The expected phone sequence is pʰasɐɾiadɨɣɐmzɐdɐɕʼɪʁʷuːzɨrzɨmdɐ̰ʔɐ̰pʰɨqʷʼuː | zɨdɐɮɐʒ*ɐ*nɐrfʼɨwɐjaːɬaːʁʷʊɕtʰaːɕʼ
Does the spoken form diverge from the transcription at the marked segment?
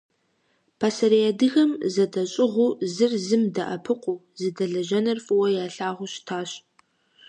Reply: no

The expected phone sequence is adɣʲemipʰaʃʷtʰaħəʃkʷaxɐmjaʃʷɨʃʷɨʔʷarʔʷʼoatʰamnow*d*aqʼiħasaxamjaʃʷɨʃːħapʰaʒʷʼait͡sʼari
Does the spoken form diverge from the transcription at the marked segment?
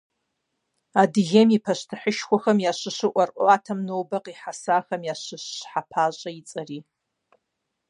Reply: yes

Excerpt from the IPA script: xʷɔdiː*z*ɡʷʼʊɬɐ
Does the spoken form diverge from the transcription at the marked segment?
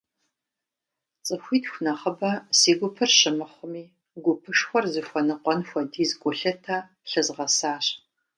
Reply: no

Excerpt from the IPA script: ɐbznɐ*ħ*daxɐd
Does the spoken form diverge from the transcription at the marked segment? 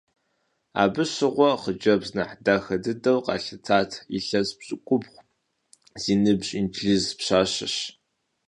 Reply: no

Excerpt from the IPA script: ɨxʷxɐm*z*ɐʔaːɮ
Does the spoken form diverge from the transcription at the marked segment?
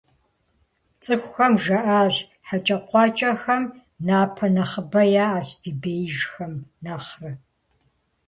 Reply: yes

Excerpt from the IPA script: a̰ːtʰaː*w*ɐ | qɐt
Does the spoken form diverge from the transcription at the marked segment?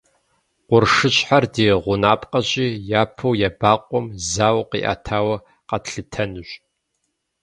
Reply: no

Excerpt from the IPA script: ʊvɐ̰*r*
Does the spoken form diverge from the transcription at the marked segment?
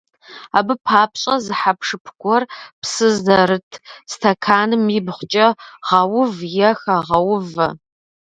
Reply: yes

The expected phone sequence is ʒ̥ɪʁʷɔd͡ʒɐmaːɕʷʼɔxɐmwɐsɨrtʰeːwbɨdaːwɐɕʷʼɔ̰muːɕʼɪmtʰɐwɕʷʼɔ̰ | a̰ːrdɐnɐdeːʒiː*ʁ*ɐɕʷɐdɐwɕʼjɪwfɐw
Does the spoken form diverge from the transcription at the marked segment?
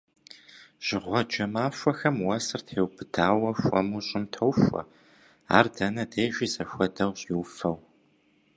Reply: yes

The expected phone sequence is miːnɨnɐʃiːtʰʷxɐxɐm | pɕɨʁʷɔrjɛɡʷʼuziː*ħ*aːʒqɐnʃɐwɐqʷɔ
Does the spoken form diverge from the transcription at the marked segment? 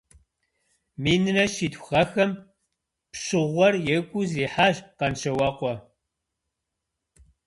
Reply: no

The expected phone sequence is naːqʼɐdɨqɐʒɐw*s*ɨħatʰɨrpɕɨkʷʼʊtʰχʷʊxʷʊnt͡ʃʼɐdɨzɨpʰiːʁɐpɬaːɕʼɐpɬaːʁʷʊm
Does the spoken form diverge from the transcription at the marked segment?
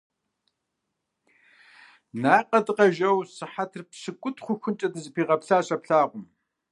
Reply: no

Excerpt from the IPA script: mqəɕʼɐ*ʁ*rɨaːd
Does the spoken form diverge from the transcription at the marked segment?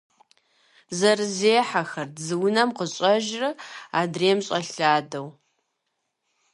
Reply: yes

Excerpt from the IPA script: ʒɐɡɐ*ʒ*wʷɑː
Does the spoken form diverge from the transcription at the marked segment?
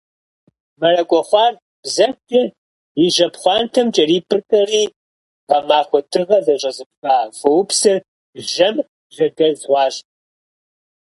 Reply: yes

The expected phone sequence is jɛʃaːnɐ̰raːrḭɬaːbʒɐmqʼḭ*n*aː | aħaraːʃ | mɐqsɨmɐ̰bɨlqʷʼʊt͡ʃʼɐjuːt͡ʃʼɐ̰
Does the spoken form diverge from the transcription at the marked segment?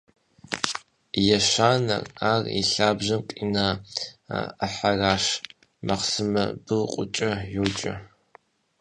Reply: no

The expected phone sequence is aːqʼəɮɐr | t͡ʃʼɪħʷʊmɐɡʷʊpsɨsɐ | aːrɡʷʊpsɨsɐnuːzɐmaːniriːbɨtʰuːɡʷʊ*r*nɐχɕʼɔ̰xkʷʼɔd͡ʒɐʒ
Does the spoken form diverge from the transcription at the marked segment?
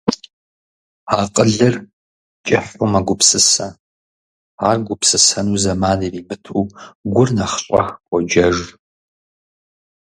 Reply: no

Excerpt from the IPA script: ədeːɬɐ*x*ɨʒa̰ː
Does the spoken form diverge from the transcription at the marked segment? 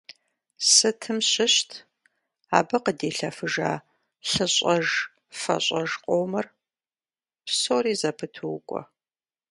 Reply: yes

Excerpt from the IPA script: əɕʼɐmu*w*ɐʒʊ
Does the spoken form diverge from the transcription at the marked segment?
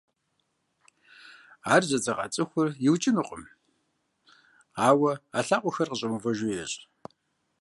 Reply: yes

